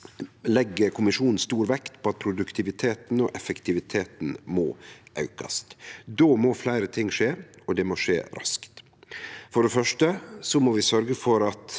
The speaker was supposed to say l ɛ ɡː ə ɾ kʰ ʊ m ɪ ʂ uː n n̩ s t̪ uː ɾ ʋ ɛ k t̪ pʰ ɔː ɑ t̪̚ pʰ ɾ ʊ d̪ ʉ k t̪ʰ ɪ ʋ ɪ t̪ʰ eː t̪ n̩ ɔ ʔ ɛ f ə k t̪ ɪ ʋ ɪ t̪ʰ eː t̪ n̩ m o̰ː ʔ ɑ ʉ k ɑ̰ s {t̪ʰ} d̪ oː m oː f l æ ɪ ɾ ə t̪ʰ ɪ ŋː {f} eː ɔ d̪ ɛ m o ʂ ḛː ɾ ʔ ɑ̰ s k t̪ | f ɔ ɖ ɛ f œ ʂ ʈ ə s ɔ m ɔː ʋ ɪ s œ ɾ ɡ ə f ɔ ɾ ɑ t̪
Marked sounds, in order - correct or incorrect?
incorrect: t̪, incorrect: ʂ

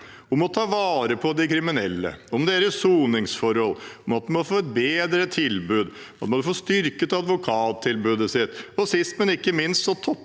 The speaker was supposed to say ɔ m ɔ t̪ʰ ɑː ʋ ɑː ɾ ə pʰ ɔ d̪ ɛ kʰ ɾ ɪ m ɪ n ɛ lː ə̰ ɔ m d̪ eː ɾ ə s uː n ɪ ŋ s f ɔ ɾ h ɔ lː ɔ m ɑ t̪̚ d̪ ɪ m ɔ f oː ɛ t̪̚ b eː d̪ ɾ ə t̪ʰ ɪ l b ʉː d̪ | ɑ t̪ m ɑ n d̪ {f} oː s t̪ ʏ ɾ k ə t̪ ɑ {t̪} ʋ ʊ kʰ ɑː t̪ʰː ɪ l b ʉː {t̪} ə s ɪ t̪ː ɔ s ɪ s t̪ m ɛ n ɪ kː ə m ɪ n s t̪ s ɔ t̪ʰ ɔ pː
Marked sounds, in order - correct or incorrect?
correct, incorrect: d̪, incorrect: d̪

